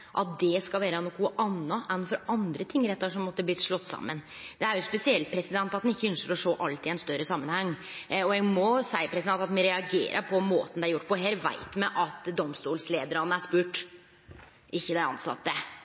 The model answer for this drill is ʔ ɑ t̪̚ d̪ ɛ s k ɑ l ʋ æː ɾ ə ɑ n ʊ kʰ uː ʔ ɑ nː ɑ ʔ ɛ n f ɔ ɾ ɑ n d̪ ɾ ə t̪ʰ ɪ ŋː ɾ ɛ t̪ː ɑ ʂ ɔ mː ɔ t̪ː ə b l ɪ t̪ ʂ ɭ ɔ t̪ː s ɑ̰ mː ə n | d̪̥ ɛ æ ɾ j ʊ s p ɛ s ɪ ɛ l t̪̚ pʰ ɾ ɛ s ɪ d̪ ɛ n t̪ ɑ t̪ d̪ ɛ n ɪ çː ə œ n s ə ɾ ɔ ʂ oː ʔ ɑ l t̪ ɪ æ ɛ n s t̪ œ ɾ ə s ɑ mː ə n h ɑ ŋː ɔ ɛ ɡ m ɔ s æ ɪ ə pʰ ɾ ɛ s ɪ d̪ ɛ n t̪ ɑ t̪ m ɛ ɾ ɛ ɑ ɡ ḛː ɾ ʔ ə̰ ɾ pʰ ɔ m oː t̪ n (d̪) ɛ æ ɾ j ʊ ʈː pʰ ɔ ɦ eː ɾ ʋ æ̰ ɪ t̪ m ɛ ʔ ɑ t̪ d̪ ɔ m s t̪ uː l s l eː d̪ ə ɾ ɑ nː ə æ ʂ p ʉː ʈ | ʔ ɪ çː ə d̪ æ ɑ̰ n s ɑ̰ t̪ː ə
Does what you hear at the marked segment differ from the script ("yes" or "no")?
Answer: no